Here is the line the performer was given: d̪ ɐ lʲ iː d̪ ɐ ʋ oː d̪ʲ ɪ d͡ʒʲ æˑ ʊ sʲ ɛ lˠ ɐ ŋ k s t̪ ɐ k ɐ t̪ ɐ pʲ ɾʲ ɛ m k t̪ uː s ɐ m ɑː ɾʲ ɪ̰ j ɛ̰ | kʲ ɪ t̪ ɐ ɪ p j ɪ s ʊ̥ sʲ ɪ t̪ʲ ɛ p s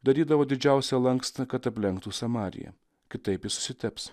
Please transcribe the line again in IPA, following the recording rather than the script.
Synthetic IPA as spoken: d̪ ɐ ɾʲ iː d̪ ɐ ʋ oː d̪ʲ ɪ d͡ʒʲ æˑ ʊ sʲ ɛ lˠ ɐ ŋ k s t̪ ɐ k ɐ t̪ ɐ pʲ lʲ ɛ ŋ k t̪ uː s ɐ m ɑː ɾʲ ɪ̰ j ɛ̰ | kʲ ɪ t̪ ɐ ɪ p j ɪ s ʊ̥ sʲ ɪ t̪ʲ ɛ p s